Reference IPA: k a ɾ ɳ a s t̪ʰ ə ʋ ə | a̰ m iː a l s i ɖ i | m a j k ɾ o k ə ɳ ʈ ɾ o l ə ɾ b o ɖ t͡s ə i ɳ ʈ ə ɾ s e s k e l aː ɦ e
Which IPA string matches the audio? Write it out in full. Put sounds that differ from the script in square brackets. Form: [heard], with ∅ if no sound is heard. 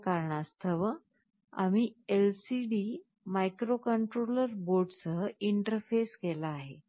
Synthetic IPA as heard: k a ɾ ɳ a s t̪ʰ ə ʋ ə | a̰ m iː [e] l s i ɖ i | m a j k ɾ o k ə ɳ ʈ ɾ o l ə ɾ b o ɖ t͡s ə i ɳ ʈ ə ɾ [f] e s k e l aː ɦ e